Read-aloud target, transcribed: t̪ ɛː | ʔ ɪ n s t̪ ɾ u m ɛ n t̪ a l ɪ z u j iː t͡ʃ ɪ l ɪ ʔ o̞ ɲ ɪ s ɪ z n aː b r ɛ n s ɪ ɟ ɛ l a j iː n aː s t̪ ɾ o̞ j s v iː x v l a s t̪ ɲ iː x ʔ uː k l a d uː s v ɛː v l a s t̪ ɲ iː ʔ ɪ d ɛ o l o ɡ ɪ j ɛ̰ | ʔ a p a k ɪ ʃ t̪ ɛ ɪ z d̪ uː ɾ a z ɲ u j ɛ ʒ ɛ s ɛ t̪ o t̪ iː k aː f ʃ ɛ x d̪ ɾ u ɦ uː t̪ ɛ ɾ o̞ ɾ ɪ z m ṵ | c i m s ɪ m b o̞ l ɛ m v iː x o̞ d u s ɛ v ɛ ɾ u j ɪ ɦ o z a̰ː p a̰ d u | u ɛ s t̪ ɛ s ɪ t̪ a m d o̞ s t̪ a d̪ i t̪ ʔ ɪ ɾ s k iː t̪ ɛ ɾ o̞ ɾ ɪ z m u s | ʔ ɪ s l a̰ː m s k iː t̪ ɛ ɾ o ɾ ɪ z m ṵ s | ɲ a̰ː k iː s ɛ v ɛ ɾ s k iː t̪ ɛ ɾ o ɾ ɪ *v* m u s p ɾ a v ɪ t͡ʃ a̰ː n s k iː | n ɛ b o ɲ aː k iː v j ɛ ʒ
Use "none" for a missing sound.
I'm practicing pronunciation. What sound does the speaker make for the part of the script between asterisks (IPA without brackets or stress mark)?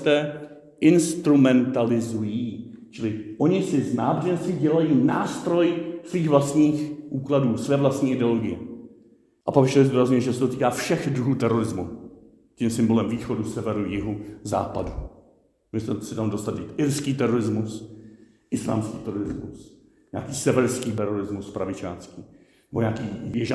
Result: z